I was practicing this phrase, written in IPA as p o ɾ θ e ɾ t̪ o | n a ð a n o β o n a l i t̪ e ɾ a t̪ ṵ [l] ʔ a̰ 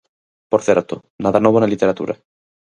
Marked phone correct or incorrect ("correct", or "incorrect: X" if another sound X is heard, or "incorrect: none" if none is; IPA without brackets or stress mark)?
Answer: incorrect: ɾ